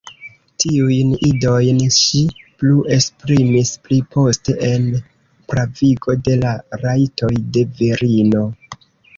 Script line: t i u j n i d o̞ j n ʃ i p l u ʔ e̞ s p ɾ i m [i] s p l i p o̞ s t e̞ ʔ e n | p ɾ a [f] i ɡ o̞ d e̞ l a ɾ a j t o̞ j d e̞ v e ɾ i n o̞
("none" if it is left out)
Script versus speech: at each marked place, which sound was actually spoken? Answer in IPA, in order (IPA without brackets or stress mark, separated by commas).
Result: i, v